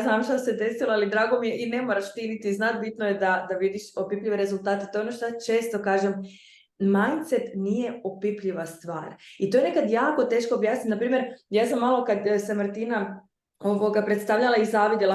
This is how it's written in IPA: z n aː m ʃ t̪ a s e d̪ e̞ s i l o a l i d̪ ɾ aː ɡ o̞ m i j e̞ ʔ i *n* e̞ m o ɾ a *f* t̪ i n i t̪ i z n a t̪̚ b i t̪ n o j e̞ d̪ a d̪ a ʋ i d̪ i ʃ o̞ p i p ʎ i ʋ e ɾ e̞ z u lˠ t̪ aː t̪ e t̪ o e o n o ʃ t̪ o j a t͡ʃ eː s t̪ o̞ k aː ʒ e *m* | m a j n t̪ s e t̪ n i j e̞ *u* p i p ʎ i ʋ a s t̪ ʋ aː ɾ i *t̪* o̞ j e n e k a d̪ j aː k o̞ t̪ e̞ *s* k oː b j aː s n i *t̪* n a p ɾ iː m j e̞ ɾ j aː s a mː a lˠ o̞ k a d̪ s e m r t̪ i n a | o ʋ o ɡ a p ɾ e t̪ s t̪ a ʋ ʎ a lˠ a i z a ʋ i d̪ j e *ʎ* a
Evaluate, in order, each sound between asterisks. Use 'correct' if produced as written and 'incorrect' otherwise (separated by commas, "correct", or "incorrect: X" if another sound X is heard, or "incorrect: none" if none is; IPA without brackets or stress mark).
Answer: correct, incorrect: ʃ, correct, incorrect: o, correct, incorrect: ʃ, correct, incorrect: l